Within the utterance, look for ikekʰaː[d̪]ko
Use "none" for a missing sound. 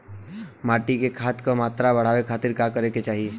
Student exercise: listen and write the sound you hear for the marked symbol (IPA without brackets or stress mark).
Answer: t̪